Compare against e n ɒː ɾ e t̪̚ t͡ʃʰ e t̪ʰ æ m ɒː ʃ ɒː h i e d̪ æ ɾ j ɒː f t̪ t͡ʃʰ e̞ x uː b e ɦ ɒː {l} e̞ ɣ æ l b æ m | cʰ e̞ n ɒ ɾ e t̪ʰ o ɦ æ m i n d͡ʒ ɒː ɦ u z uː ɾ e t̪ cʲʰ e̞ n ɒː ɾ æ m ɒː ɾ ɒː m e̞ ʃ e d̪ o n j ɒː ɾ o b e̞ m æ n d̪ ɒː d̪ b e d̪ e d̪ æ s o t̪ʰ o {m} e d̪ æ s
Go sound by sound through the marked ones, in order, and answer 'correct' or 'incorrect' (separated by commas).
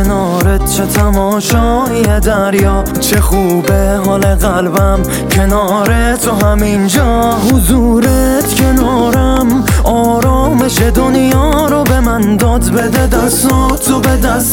correct, incorrect